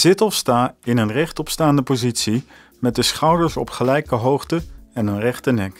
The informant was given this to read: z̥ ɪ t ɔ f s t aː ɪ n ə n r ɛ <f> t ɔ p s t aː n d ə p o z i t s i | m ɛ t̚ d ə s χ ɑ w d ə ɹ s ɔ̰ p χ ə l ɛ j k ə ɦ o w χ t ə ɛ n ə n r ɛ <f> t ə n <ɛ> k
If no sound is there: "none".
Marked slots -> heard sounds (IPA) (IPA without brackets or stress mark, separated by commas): χ, χ, ɛ